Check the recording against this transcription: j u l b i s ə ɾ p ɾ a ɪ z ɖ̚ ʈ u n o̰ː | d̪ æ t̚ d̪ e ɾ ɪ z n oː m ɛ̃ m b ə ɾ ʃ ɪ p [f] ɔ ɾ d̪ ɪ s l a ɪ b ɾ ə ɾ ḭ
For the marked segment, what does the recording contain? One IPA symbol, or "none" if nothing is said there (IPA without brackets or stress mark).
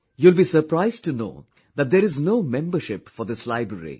f